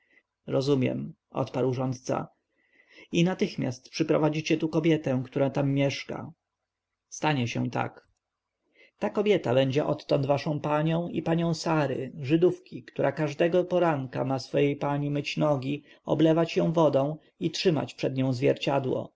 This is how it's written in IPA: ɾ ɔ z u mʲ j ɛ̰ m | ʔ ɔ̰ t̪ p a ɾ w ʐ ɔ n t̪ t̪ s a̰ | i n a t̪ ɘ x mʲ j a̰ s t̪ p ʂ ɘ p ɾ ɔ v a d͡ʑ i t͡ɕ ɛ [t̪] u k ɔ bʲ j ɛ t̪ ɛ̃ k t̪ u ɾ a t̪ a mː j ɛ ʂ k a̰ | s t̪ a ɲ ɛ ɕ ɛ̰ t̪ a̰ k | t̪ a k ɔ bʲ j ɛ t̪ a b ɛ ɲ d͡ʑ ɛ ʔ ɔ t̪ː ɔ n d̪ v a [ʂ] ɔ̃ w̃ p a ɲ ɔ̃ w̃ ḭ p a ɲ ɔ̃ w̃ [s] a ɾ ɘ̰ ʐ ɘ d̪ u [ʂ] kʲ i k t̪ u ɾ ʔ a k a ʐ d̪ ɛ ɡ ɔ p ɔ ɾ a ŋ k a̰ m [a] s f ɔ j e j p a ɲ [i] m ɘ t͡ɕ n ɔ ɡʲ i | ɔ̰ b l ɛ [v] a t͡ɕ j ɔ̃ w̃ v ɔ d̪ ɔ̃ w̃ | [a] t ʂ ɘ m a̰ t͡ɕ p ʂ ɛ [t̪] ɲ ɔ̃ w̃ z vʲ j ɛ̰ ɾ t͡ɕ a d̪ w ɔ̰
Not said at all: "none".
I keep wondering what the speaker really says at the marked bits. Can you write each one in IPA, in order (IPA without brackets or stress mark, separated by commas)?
t̪, ʂ, s, f, a, i, v, i, d̪